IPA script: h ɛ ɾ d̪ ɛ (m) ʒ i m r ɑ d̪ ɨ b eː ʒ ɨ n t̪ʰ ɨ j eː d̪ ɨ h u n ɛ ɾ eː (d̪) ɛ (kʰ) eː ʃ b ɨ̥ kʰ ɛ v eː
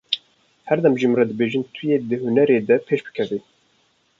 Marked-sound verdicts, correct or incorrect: correct, correct, incorrect: pʰ

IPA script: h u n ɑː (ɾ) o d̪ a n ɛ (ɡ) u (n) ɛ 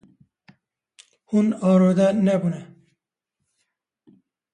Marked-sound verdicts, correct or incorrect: correct, incorrect: b, correct

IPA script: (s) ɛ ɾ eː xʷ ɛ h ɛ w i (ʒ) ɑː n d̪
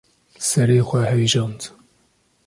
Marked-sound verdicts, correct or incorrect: correct, correct

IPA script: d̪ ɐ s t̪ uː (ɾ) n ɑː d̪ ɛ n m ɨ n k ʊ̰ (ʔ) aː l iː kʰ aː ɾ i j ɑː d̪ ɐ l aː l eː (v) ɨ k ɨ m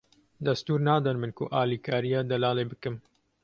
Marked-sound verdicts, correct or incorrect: correct, correct, incorrect: b

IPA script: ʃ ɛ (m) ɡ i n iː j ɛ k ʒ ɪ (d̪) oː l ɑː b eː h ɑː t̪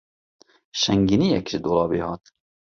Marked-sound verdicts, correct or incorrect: incorrect: ŋ, correct

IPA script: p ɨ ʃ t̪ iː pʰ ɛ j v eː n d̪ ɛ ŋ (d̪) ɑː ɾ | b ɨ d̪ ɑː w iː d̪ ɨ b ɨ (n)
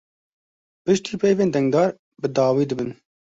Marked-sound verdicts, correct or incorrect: correct, correct

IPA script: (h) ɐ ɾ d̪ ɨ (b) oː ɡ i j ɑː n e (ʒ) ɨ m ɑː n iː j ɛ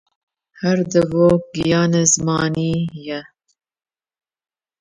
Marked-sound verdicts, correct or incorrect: correct, incorrect: v, incorrect: z

